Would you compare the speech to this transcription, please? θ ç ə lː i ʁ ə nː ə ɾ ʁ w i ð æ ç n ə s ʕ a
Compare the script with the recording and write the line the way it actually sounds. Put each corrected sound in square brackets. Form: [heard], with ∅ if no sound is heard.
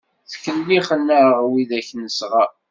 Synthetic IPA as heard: θ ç ə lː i [χ] ə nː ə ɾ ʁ w i ð æ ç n ə s [ʁ] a